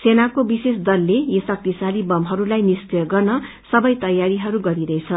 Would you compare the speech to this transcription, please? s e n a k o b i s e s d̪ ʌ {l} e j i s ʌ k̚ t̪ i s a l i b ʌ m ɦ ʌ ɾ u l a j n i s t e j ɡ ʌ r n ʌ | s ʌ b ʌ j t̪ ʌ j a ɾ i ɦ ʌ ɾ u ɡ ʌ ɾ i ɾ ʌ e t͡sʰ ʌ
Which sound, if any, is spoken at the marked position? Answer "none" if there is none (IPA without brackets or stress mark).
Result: lː